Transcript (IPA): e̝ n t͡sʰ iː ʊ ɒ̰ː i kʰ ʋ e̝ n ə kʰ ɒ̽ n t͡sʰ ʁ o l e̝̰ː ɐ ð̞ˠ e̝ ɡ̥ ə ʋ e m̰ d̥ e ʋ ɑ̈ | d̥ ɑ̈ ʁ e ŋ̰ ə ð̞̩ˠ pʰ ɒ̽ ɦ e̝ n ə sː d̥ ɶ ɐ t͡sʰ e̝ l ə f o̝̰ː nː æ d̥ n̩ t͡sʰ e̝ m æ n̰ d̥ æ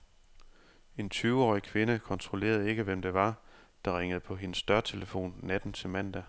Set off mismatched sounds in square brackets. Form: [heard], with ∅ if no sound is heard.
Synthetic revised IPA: e̝ n t͡sʰ [yː] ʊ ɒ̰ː i kʰ ʋ e̝ n ə kʰ ɒ̽ n t͡sʰ ʁ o l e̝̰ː ɐ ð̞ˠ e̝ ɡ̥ ə ʋ e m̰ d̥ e ʋ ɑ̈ | d̥ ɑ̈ ʁ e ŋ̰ ə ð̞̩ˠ pʰ ɒ̽ ɦ e̝ n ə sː d̥ ɶ ɐ t͡sʰ e̝ l ə f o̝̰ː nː æ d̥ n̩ t͡sʰ e̝ m æ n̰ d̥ æ